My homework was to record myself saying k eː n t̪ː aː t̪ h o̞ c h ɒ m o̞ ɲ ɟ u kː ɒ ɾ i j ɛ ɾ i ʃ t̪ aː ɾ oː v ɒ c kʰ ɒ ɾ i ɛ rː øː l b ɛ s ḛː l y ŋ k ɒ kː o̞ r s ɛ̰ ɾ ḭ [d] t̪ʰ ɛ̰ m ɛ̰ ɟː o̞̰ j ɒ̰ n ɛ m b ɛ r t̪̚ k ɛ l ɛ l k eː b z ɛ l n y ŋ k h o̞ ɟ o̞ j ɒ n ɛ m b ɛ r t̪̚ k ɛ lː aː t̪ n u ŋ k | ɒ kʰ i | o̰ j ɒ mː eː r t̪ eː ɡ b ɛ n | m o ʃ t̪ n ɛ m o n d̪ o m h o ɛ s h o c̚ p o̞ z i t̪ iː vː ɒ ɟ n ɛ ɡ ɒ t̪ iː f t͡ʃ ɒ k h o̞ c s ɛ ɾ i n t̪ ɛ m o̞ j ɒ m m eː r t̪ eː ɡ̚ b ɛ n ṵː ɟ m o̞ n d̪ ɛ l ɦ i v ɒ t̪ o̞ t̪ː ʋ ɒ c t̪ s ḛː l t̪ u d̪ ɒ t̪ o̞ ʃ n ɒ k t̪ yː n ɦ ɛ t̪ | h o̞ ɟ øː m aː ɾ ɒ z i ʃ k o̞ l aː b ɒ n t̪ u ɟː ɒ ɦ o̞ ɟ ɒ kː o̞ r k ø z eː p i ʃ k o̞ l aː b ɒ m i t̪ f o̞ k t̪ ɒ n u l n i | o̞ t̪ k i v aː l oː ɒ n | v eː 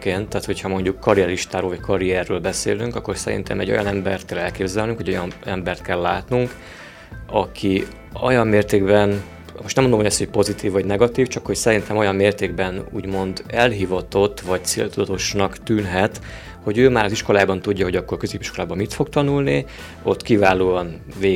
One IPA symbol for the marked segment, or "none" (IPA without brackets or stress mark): n